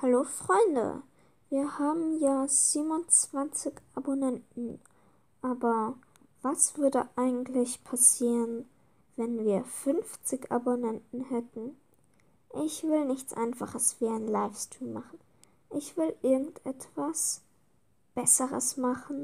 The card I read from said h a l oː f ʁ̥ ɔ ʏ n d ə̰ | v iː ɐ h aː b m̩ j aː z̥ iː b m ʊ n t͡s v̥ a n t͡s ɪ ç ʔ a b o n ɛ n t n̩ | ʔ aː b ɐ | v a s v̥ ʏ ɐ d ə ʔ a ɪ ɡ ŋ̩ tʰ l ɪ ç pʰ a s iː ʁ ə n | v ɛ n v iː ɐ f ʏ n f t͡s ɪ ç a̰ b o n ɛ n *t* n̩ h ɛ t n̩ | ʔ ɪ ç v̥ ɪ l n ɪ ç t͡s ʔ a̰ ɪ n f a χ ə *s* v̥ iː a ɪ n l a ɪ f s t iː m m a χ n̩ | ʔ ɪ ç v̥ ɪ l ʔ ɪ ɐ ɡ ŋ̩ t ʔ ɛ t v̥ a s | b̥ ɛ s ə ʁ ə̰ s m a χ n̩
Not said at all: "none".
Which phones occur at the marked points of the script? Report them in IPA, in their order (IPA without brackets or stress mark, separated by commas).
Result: t, s